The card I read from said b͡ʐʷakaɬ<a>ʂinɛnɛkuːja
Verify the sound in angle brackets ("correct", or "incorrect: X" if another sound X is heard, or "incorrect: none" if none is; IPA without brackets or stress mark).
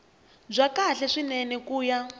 incorrect: ɛ